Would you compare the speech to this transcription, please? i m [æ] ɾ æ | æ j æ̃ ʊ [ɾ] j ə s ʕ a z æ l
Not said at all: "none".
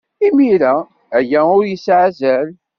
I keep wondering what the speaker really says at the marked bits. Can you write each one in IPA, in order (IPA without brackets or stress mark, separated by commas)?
i, ɾ